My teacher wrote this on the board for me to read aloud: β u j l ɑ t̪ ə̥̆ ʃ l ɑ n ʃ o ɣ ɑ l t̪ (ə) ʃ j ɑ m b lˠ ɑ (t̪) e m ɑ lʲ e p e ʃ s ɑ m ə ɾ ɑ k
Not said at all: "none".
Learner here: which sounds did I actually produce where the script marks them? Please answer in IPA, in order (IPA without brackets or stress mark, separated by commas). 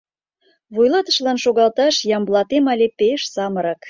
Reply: ɑ, t̪